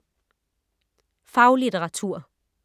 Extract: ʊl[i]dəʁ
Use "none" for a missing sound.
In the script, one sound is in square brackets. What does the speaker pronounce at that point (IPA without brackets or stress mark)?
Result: i